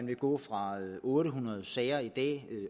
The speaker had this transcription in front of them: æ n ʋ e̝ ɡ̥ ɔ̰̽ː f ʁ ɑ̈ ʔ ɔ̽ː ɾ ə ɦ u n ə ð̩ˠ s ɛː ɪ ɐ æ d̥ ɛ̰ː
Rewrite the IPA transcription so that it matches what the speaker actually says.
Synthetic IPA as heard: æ n ʋ e̝ ɡ̥ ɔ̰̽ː f ʁ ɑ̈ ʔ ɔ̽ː ɾ ə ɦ u n ɐ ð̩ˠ s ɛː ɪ ɐ i d̥ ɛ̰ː